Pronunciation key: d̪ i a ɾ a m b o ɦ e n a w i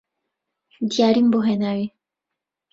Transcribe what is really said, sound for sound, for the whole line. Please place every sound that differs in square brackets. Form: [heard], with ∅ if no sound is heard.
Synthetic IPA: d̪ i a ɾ [i] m b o ɦ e n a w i